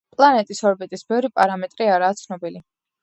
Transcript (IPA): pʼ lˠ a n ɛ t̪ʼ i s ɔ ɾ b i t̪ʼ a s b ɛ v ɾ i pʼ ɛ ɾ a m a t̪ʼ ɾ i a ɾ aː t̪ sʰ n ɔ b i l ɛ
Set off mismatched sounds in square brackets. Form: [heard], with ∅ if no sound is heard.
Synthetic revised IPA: pʼ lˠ a n ɛ t̪ʼ i s ɔ ɾ b i t̪ʼ [i] s b ɛ v ɾ i pʼ [a] ɾ a m [ɛ] t̪ʼ ɾ i a ɾ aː t̪ sʰ n ɔ b i l [i]